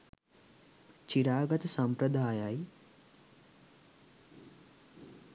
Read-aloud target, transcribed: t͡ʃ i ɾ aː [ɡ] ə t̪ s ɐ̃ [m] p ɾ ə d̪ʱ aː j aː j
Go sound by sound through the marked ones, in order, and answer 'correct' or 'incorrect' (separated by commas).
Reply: correct, correct